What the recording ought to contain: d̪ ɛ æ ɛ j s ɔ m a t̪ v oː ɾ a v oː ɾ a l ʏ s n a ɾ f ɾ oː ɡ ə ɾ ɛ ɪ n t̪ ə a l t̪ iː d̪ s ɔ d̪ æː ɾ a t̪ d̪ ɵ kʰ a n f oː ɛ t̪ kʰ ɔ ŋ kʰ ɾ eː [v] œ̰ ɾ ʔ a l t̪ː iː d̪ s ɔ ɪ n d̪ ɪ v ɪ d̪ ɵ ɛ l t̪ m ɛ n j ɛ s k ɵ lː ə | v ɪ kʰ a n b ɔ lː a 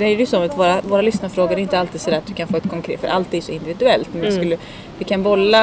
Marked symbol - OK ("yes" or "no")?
no